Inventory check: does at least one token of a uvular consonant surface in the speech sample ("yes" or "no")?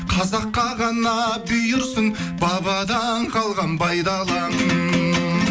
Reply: yes